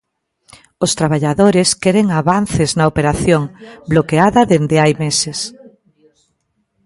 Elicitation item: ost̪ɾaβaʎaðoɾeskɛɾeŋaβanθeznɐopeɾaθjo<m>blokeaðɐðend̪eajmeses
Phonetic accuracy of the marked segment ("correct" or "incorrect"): incorrect